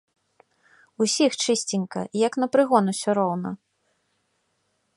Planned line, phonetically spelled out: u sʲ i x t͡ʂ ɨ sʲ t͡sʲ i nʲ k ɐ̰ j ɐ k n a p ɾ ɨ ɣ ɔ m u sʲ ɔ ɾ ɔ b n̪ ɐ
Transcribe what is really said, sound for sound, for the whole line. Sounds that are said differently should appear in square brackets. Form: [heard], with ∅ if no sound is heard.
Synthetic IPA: u sʲ i x t͡ʂ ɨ sʲ t͡sʲ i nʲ k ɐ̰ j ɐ k n [ɐ] p ɾ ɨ ɣ ɔ [n] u sʲ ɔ ɾ ɔ [w] n̪ ɐ

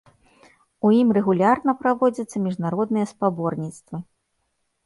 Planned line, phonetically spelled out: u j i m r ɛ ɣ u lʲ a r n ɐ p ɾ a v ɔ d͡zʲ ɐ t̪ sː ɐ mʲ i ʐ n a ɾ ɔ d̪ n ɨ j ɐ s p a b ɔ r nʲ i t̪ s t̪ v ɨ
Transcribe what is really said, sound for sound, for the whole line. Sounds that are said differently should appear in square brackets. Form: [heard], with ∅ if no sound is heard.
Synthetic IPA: u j i m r ɛ ɣ u lʲ a r n ɐ p ɾ a v ɔ d͡zʲ ɐ t̪ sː ɐ mʲ i ʐ n a ɾ ɔ d̪ n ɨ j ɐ s p a b ɔ r nʲ i t̪ s t̪ v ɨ

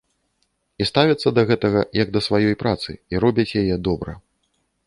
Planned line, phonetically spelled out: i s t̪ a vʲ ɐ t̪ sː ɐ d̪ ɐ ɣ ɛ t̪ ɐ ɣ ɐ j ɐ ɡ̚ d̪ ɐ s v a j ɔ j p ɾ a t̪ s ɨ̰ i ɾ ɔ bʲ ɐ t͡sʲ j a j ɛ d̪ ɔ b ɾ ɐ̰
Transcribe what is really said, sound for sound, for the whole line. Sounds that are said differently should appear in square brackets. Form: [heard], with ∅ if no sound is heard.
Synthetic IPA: i s t̪ a vʲ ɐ t̪ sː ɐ d̪ ɐ ɣ ɛ t̪ ɐ ɣ ɐ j ɐ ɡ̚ d̪ ɐ s v a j ɔ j p ɾ a t̪ s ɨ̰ i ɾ ɔ bʲ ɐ t͡sʲ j a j ɛ d̪ ɔ b ɾ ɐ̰

